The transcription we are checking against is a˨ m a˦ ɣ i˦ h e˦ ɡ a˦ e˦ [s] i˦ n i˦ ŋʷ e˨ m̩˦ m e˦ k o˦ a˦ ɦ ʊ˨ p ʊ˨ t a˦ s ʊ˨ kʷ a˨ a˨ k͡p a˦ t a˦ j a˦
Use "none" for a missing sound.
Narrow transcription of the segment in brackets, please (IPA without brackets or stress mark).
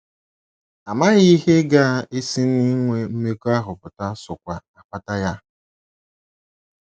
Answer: s